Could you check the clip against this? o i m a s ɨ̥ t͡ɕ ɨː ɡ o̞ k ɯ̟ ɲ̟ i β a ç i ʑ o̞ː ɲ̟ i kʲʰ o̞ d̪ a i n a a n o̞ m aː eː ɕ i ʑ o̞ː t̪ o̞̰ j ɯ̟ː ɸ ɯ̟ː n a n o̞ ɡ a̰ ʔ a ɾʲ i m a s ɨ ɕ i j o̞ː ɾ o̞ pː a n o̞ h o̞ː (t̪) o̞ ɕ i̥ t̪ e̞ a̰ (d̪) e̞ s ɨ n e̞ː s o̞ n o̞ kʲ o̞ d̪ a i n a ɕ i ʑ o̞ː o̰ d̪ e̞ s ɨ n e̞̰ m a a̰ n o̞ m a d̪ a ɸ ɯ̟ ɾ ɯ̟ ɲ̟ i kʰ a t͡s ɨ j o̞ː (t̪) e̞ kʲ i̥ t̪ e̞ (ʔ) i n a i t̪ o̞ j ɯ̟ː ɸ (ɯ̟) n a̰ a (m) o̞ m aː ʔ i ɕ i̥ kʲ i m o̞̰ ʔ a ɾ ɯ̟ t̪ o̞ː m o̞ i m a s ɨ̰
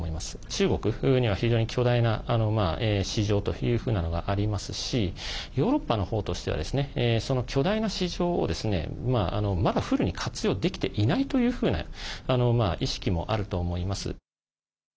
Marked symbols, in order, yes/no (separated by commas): yes, yes, no, yes, no, no